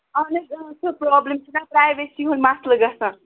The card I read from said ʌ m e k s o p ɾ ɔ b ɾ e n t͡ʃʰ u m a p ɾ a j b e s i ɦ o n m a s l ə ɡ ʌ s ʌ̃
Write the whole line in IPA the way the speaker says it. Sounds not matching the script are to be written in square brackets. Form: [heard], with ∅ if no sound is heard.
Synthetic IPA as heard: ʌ [n] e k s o p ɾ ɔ b [l] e [m] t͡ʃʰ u [n] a p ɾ a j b e s i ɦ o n m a s l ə ɡ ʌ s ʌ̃